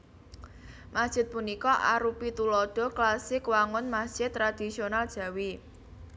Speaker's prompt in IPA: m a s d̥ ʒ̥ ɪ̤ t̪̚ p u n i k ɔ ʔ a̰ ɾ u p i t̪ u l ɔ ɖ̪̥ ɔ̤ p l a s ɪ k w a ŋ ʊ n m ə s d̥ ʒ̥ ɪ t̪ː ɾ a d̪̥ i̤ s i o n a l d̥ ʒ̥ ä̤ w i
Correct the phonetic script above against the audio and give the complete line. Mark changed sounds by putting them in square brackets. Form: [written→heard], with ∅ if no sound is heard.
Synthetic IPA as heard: m a s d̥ ʒ̥ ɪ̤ t̪̚ p u n i k ɔ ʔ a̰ ɾ u p i t̪ u l ɔ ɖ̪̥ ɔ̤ [p→k] l a s ɪ k w a ŋ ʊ n m [ə→a] s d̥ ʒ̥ ɪ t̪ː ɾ a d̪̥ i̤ s i o n a l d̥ ʒ̥ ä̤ w i